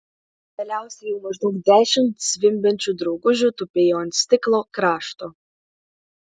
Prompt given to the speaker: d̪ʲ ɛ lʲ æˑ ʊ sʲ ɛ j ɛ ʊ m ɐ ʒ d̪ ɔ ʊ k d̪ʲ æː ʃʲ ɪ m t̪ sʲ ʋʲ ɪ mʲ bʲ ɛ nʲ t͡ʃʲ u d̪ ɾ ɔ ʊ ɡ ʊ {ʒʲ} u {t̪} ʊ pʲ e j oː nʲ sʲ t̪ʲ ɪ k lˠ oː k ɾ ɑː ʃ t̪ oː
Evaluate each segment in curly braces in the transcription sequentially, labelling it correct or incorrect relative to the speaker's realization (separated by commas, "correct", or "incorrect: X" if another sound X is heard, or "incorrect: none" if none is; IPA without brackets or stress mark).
correct, correct